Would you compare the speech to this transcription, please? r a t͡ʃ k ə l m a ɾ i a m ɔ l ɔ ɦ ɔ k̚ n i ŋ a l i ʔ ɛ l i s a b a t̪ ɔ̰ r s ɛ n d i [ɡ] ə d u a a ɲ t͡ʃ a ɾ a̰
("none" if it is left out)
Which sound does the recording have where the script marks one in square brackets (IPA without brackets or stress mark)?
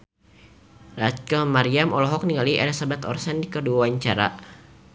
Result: k